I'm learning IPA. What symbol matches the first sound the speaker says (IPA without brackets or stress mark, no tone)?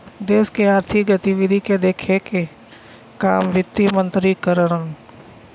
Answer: d̪